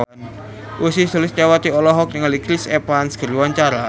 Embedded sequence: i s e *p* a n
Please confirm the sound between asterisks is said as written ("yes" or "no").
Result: yes